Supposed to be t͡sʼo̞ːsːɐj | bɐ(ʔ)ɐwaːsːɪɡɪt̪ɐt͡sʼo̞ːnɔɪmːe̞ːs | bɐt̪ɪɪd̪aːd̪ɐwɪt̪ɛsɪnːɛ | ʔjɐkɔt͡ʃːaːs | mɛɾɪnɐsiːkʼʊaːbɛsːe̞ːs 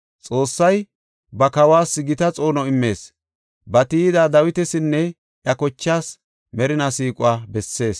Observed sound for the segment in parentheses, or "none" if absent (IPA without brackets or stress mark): k